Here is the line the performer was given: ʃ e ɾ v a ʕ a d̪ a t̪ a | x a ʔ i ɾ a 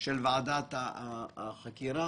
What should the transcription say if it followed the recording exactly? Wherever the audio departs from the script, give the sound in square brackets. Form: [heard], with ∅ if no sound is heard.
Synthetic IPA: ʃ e [l] v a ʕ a d̪ a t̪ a | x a [k] i ɾ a